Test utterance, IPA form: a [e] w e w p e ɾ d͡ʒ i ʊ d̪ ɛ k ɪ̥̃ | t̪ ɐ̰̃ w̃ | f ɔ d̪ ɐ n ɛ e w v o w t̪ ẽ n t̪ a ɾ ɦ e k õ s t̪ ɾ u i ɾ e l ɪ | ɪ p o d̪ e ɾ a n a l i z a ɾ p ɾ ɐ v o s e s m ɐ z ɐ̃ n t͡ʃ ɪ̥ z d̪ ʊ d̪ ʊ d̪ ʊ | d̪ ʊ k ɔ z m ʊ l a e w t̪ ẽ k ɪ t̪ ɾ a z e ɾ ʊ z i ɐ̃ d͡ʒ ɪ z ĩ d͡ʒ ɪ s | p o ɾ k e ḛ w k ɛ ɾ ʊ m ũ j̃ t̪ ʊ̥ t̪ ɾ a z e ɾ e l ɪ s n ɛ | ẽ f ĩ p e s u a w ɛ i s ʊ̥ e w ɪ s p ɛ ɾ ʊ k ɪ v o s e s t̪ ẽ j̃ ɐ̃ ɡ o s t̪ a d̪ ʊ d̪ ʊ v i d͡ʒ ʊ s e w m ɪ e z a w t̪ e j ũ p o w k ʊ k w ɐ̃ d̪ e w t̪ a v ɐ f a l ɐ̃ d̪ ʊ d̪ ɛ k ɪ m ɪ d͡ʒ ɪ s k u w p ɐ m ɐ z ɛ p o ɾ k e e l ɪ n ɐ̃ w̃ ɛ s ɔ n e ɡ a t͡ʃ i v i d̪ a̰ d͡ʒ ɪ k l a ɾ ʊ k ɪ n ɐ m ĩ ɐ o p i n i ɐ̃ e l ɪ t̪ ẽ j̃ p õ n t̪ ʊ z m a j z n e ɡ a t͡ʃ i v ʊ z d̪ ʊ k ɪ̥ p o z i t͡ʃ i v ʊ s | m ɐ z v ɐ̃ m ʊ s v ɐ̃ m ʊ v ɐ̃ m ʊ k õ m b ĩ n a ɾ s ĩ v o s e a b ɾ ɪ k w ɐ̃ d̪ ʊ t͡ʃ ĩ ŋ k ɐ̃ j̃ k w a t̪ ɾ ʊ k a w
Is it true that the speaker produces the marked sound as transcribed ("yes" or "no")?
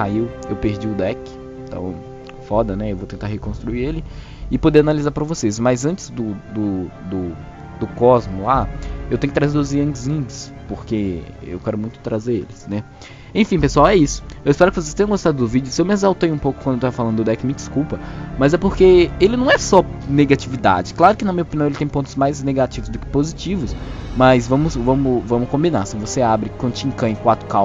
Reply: no